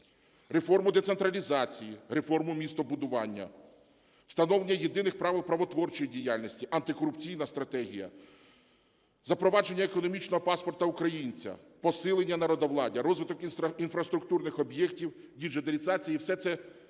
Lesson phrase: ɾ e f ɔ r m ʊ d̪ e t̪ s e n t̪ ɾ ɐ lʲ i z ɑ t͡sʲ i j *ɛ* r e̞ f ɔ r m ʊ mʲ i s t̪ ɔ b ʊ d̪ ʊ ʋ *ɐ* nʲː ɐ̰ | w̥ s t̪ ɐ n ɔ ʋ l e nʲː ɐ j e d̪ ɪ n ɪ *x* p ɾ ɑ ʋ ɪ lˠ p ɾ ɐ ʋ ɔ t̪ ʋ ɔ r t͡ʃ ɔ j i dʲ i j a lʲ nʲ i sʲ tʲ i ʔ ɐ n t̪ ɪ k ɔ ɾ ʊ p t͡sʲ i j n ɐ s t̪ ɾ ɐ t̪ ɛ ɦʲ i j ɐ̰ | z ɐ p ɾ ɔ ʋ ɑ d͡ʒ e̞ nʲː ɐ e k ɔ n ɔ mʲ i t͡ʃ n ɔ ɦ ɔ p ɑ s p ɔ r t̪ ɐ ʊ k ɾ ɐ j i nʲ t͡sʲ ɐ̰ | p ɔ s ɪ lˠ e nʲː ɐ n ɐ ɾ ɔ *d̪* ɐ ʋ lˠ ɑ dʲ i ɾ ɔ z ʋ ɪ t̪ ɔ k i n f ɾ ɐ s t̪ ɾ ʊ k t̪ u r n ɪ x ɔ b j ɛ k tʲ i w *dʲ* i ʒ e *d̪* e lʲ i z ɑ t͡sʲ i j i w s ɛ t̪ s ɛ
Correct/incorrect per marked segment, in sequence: incorrect: i, incorrect: ɑ, correct, correct, correct, correct

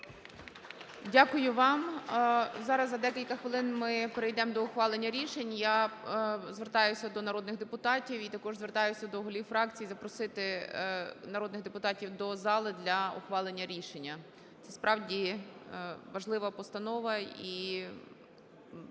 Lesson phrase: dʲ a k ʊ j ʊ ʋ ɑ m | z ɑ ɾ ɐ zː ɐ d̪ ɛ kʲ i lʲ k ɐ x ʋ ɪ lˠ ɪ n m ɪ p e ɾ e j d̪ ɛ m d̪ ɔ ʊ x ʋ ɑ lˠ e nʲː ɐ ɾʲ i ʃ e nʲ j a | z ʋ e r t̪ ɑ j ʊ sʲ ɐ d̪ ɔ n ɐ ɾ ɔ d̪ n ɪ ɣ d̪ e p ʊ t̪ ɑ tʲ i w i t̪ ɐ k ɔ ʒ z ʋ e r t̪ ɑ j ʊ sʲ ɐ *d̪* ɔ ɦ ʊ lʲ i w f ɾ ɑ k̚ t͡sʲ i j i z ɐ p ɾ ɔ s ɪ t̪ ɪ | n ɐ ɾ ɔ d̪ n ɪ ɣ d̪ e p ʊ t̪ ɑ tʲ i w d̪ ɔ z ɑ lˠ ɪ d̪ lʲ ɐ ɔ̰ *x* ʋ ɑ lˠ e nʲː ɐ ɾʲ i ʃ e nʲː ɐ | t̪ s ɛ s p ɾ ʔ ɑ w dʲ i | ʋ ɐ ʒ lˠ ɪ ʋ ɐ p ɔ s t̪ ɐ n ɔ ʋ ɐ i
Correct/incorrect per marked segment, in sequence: correct, correct

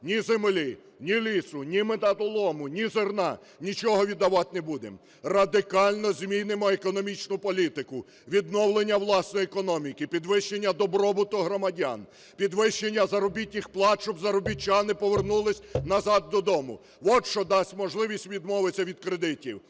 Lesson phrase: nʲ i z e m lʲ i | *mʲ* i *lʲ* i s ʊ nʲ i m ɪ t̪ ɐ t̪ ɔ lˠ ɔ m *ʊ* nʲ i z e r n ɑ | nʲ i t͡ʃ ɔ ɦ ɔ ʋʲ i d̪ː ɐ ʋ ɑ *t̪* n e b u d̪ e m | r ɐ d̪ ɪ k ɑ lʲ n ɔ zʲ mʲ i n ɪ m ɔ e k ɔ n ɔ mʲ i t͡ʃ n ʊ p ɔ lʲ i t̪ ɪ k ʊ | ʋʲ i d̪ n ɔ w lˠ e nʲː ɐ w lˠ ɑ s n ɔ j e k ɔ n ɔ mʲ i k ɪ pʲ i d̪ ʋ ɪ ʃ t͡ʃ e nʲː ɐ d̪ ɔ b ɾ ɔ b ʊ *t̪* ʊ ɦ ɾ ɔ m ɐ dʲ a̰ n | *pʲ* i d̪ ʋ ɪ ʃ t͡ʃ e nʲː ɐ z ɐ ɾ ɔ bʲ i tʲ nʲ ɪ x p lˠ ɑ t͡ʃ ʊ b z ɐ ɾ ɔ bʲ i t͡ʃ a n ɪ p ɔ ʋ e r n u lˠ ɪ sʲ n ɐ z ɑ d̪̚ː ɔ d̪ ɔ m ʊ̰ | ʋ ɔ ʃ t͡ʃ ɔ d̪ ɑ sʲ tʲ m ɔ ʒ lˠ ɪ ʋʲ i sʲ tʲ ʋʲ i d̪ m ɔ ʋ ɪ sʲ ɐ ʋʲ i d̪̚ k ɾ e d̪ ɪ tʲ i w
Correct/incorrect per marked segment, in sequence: incorrect: nʲ, correct, correct, correct, correct, correct

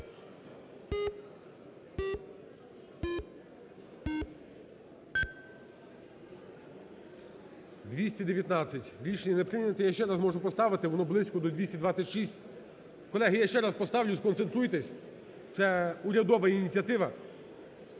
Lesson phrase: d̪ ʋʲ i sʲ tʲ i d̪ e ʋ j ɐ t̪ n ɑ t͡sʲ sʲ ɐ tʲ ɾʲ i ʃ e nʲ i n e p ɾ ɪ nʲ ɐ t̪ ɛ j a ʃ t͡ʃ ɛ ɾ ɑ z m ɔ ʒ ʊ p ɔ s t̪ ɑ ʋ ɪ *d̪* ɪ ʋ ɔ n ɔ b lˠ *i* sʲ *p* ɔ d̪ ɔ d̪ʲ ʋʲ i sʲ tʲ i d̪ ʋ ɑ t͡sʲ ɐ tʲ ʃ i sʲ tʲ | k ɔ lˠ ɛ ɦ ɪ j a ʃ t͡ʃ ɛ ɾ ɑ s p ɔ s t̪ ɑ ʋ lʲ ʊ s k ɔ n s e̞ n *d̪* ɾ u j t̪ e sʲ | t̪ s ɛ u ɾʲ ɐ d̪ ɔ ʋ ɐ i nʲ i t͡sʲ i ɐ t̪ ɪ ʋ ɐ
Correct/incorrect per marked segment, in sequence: incorrect: t̪, incorrect: ɪ, incorrect: k, incorrect: t̪

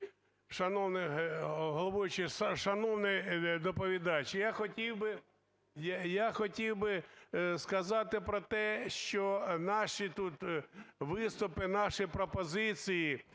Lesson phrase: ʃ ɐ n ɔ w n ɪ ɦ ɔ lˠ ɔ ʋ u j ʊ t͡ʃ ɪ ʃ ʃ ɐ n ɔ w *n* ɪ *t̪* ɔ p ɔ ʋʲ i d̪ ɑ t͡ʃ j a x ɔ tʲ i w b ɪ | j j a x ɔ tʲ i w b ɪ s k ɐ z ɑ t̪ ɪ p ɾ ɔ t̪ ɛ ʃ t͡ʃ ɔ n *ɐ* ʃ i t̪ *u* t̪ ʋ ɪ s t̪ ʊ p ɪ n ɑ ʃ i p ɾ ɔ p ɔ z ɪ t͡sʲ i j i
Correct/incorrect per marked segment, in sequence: correct, incorrect: d̪, incorrect: ɑ, correct

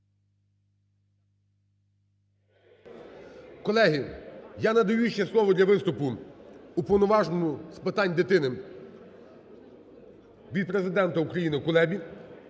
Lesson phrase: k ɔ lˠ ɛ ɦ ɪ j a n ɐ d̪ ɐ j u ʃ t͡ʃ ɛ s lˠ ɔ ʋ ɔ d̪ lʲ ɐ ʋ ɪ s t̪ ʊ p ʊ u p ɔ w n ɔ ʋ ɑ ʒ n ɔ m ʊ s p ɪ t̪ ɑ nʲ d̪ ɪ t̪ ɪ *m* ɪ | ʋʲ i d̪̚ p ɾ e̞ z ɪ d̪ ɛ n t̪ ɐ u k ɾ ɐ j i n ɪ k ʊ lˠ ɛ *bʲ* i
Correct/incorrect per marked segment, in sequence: incorrect: n, correct

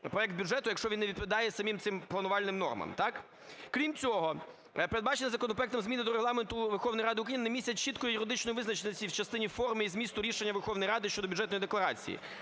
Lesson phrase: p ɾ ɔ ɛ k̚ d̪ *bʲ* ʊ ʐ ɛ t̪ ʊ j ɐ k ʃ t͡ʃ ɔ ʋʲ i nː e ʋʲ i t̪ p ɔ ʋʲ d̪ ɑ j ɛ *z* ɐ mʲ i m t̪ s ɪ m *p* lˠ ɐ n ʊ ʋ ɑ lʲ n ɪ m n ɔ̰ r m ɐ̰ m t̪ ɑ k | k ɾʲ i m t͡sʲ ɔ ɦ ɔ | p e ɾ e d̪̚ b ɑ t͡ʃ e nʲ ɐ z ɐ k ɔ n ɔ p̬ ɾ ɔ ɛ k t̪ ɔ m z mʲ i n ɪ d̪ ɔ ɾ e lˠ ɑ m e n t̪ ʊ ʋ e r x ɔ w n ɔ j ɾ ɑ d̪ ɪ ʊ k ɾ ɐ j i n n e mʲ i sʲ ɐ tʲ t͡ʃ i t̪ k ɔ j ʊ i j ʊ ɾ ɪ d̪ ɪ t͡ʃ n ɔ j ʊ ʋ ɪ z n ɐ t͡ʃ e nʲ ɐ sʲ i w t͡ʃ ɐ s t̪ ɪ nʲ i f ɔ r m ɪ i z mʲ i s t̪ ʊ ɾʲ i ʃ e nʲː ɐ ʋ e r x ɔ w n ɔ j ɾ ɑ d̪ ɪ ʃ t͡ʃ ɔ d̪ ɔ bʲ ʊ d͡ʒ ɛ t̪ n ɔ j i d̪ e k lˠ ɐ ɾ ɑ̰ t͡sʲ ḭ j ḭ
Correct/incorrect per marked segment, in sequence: correct, incorrect: s, correct

